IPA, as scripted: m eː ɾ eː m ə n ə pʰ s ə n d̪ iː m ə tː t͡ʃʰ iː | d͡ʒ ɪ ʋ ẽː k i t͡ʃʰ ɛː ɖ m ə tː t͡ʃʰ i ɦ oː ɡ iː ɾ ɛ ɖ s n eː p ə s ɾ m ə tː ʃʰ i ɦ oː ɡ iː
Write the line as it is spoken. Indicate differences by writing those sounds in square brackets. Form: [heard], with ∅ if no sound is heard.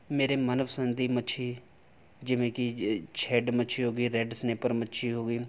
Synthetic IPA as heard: m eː ɾ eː m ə n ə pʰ s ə n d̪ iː m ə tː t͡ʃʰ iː | d͡ʒ ɪ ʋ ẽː k i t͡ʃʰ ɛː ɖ m ə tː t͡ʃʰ i ɦ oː ɡ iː ɾ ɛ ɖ s n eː p ə [∅] ɾ m ə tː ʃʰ i ɦ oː ɡ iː